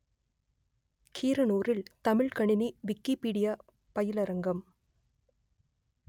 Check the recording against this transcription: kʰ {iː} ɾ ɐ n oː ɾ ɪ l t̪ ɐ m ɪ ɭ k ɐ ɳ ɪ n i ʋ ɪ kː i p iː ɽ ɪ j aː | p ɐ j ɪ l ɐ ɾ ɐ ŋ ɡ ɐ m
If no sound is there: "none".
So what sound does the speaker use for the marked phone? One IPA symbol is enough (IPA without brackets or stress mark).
iː